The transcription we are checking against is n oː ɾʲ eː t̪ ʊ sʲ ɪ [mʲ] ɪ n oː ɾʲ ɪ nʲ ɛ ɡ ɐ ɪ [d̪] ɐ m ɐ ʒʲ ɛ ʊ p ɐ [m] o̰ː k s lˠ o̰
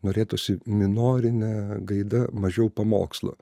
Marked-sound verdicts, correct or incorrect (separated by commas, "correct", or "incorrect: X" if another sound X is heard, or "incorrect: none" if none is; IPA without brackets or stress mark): correct, correct, correct